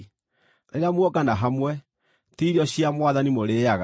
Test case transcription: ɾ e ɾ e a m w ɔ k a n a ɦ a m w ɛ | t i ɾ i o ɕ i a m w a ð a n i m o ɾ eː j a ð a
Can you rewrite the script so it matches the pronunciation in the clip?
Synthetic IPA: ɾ e ɾ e a m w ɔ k a n a ɦ a m w ɛ | t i ɾ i ɔ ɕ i a m w a ð a n i m o ɾ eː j a ɣ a